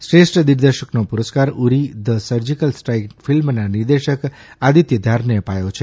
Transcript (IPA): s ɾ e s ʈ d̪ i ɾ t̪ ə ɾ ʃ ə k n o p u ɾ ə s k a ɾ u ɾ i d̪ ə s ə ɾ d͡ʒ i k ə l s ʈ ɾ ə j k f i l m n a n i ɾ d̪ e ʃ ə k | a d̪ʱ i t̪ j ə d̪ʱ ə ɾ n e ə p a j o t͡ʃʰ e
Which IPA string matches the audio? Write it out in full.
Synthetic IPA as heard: s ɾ e s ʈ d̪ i ɾ d̪ ə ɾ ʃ ə k n o p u ɾ ə s k a ɾ u ɾ i d̪ ə s ə ɾ d͡ʒ i k ə l s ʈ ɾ a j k f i l m n a n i ɾ d̪ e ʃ ə k | a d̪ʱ i t̪ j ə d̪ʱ a ɾ n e ə p a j o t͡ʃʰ e